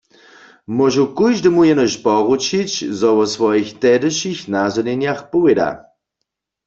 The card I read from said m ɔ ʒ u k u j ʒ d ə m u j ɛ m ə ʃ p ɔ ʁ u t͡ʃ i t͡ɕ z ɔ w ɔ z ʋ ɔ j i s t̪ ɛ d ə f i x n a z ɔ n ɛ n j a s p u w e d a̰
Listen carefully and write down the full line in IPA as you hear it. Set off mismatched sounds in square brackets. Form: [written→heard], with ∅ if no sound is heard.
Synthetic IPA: m ɔ ʒ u k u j ʒ d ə m u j ɛ [m→n] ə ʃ p ɔ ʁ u t͡ʃ i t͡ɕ z ɔ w ɔ [z→s] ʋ ɔ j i [s→x] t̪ ɛ d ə [f→ʃ] i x n a z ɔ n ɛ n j a [s→x] p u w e d a̰